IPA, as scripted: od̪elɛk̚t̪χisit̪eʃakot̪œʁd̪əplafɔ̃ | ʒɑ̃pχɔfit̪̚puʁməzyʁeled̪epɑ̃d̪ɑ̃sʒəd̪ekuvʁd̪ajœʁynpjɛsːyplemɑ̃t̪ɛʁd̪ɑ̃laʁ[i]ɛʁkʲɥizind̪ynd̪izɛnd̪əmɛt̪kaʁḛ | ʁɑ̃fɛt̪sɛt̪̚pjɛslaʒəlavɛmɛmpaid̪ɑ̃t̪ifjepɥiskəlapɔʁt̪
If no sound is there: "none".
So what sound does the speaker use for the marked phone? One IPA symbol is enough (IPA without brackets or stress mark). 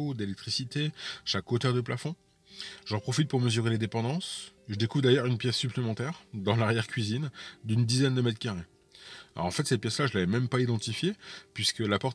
j